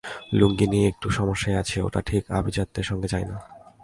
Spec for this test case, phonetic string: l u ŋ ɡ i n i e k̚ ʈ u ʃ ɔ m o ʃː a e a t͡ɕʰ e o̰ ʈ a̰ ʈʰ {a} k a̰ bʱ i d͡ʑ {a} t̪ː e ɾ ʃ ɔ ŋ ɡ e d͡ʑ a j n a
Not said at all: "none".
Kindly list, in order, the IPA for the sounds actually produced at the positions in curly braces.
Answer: i, a

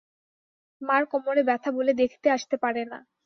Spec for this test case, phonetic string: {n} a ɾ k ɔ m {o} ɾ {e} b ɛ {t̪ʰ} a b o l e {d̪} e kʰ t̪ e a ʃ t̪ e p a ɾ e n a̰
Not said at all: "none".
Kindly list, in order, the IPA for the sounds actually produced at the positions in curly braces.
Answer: m, o, e, t̪ʰ, d̪

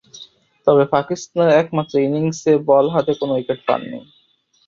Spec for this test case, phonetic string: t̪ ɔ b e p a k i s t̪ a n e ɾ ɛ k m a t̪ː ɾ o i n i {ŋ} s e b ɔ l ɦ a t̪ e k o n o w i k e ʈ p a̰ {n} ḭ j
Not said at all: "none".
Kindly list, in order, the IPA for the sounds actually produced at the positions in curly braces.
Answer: ŋ, nː

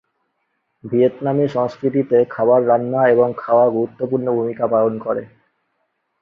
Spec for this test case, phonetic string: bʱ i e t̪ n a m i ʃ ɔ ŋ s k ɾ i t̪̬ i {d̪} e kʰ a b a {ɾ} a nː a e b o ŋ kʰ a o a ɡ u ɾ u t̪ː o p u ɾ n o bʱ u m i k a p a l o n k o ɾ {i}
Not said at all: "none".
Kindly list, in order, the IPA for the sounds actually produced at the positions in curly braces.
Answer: t̪, ɾː, e

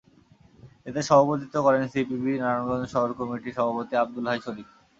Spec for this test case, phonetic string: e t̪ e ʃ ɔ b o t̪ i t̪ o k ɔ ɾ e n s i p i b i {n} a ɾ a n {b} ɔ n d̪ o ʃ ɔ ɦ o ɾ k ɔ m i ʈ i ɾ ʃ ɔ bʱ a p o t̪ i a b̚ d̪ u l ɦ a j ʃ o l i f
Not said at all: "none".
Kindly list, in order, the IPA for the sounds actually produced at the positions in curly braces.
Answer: n, ɡ

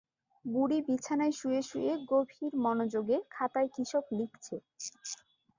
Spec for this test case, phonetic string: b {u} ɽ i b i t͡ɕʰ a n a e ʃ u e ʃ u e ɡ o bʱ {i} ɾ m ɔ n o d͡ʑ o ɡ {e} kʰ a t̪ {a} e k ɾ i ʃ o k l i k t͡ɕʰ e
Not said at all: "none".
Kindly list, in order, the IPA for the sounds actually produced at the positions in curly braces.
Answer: u, i, e, a

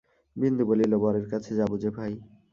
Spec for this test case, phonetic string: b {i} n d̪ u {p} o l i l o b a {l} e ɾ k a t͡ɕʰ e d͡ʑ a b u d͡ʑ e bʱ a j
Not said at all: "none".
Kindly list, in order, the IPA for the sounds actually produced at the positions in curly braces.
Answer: i, b, ɾ

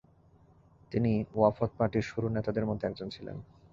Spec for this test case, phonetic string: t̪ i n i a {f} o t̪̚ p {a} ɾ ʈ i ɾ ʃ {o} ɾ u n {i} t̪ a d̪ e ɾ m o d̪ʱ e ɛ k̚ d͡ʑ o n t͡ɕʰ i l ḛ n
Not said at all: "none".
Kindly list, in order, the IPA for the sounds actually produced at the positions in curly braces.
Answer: f, a, u, e

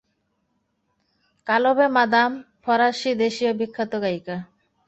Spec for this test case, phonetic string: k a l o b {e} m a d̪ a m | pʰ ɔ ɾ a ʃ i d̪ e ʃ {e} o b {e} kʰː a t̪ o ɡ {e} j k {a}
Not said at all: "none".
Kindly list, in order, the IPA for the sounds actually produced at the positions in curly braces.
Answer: e, i, i, a, a

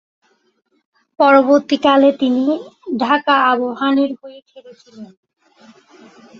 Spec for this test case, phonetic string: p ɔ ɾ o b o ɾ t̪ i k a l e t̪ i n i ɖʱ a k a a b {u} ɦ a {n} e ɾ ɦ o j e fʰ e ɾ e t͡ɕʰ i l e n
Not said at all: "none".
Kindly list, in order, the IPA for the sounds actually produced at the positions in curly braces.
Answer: o, n

